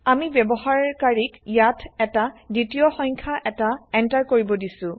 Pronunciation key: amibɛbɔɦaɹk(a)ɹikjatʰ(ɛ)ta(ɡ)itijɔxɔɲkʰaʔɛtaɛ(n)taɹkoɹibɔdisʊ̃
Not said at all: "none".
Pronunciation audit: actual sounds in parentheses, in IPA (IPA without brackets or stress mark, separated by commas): a, ɛ, d, n